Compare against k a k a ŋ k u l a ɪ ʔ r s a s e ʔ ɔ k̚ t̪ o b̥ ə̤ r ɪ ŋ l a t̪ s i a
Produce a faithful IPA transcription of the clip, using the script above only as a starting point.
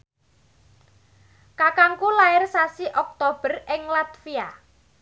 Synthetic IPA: k a k a ŋ k u l a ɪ r s a s i ʔ ɔ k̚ t̪ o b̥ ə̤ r ɪ ŋ l a t̪ f i a